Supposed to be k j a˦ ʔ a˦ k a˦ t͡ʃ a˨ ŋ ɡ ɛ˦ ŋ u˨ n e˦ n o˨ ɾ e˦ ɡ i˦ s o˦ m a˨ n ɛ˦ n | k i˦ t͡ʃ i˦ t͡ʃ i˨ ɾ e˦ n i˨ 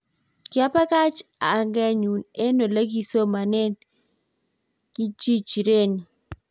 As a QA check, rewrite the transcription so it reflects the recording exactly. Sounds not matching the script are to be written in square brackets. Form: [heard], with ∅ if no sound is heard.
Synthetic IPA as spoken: k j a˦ [p] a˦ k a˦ t͡ʃ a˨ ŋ ɡ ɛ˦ [ɲ] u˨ n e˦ n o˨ [l] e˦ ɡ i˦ s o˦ m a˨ n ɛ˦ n | k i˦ t͡ʃ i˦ t͡ʃ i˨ ɾ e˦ n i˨

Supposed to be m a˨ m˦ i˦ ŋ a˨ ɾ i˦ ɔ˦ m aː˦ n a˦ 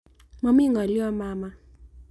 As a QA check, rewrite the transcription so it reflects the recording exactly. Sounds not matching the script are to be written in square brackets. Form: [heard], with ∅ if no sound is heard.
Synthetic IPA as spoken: m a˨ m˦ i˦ ŋ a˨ [l] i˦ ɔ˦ m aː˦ [m] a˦

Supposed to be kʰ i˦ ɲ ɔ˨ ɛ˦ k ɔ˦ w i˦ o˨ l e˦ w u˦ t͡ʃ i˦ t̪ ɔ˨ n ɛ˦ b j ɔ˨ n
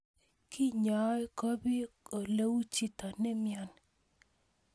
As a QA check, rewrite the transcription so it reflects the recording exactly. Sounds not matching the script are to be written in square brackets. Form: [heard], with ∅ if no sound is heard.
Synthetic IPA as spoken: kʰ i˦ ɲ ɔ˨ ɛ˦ k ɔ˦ [b] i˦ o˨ l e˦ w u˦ t͡ʃ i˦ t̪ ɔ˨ n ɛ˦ [m] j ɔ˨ n

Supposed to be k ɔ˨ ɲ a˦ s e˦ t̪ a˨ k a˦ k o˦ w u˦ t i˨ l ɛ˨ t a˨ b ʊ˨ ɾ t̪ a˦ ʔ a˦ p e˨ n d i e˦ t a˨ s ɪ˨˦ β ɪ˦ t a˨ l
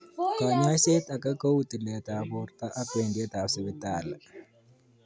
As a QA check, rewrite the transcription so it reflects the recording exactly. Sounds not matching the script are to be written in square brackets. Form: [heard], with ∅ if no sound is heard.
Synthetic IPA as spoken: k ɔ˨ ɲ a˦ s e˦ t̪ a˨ k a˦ k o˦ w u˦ t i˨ l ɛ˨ t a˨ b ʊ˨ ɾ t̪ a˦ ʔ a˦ p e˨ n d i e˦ t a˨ s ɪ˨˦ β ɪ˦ t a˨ l

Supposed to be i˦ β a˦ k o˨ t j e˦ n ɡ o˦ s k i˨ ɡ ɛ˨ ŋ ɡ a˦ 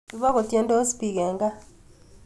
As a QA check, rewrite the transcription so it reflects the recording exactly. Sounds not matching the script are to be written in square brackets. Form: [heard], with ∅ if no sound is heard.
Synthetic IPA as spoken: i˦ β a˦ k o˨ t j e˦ n [d] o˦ s [p] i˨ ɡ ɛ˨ ŋ ɡ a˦

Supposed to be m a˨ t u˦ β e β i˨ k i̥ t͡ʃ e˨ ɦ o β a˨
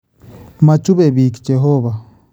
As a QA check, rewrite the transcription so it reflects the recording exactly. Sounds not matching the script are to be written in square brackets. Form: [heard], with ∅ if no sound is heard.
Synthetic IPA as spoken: m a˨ [t͡ʃ] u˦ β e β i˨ k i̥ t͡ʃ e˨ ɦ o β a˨

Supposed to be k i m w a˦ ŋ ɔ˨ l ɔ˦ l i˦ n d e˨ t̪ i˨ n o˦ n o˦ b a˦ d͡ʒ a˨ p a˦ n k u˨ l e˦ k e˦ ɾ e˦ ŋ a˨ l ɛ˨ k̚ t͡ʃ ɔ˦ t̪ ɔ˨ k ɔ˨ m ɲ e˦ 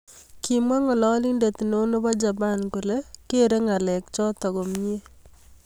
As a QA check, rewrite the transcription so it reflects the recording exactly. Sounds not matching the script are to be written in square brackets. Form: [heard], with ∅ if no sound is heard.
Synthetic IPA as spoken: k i m w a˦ ŋ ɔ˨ l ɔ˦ l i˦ n d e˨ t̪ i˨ n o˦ n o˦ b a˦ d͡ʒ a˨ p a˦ n k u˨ l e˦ k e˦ ɾ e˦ ŋ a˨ l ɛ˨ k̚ t͡ʃ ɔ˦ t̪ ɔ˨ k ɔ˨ m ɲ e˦

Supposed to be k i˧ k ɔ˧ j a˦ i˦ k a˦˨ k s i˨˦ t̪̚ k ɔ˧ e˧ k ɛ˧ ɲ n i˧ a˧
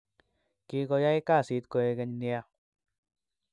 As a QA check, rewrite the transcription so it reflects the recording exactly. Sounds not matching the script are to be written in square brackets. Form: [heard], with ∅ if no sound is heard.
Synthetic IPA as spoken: k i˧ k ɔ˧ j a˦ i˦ k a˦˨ [∅] s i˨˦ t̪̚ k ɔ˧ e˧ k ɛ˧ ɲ n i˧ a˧

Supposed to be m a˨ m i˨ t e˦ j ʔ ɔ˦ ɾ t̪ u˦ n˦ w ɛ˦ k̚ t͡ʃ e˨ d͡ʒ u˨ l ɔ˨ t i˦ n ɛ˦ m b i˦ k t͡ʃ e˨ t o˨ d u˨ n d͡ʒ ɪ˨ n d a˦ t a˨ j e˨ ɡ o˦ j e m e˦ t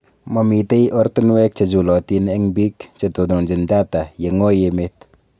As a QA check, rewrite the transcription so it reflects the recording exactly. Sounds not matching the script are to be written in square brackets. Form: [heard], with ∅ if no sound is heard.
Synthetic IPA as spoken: m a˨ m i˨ t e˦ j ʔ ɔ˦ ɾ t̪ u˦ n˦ w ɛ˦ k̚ t͡ʃ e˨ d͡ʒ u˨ l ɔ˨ t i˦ n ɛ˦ [ŋ] b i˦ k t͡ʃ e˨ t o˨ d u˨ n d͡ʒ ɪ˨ n d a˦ t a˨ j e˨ [ŋ] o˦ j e m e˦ t

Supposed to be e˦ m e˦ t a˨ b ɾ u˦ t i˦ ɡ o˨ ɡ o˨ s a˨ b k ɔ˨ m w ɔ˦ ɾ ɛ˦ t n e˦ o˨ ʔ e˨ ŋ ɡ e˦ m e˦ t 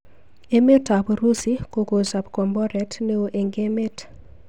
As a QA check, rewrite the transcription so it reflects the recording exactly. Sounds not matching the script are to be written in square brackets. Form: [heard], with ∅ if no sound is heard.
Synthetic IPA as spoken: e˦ m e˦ t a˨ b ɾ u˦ [s] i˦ [k] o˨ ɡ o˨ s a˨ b k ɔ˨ m [b] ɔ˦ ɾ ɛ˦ t n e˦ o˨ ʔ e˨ ŋ ɡ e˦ m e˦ t

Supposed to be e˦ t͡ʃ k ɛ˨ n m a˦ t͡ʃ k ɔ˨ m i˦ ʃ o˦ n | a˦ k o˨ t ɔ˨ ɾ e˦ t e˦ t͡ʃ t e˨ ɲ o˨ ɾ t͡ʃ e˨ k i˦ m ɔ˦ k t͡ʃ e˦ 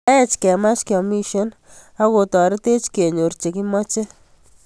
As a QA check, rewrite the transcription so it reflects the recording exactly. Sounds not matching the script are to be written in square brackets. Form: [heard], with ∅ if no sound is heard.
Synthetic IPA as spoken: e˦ t͡ʃ k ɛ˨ [∅] m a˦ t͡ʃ k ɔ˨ m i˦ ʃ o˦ n | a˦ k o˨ t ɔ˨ ɾ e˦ t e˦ t͡ʃ [k] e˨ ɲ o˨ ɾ t͡ʃ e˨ k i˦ m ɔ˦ [∅] t͡ʃ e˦

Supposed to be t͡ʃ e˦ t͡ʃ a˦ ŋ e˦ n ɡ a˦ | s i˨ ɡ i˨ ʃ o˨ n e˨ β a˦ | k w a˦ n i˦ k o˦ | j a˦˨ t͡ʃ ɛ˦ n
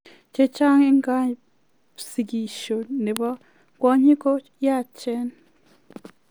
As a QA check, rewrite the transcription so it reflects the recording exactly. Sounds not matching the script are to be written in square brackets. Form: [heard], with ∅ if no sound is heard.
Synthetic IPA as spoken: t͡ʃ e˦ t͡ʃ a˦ ŋ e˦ [ŋ] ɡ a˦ | s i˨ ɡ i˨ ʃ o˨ n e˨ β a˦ | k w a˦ [ɲ] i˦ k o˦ | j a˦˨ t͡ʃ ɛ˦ n

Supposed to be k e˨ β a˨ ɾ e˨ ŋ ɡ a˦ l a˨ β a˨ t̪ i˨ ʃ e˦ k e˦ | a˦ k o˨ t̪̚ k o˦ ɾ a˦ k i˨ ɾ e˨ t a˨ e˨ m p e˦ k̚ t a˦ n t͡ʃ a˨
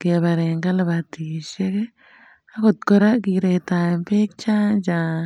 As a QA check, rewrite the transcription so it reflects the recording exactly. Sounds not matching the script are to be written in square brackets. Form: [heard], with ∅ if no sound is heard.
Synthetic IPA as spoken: k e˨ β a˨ ɾ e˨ ŋ ɡ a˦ l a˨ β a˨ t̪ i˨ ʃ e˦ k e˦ | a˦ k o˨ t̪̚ k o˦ ɾ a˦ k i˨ ɾ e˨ t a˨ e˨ m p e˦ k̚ [t͡ʃ] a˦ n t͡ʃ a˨

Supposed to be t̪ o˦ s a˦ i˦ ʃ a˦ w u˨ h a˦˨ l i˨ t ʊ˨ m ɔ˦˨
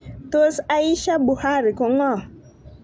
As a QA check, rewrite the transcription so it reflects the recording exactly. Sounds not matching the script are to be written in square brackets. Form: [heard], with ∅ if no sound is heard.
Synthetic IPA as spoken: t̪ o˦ s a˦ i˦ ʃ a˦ [b] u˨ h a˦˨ [ɾ] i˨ [k] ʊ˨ [ŋ] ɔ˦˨

